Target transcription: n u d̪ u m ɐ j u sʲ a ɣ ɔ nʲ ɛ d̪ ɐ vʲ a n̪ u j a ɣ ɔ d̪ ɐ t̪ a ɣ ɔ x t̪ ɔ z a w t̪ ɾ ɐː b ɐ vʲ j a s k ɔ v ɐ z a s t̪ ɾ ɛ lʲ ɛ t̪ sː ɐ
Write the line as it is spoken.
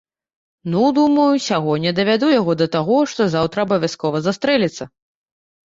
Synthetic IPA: n u d̪ u m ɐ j u sʲ a ɣ ɔ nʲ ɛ d̪ ɐ vʲ a d̪ u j a ɣ ɔ d̪ ɐ t̪ a ɣ ɔ ʂ t̪ ɔ z a w t̪ ɾ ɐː b ɐ vʲ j a s k ɔ v ɐ z a s t̪ ɾ ɛ lʲ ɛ t̪ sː ɐ

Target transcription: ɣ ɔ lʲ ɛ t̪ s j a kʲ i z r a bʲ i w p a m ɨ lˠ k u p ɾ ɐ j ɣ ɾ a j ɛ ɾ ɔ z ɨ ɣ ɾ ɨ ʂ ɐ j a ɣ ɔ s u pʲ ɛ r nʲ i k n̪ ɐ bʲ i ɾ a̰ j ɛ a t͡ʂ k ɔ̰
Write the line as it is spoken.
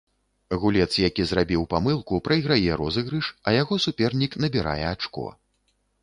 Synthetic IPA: ɣ u lʲ ɛ t̪ s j a kʲ i z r a bʲ i w p a m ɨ lˠ k u p ɾ ɐ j ɣ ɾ a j ɛ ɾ ɔ z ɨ ɣ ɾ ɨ ʂ ɐ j a ɣ ɔ s u pʲ ɛ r nʲ i k n̪ ɐ bʲ i ɾ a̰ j ɛ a t͡ʂ k ɔ̰

